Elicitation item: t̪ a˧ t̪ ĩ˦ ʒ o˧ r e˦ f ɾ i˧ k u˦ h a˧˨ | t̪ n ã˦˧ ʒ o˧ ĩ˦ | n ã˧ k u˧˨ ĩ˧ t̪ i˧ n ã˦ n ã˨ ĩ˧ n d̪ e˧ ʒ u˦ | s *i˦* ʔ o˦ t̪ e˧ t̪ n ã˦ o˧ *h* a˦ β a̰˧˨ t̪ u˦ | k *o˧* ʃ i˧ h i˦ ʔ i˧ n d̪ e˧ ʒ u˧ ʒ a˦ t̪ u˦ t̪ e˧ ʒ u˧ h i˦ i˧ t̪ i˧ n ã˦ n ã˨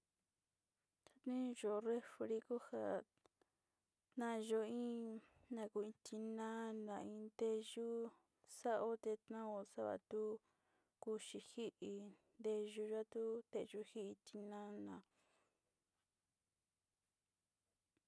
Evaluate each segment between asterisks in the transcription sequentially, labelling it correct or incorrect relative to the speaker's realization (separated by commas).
incorrect, incorrect, incorrect